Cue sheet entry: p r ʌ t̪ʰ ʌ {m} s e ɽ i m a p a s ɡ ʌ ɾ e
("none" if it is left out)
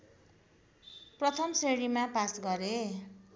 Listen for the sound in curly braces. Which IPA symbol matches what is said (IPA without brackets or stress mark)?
m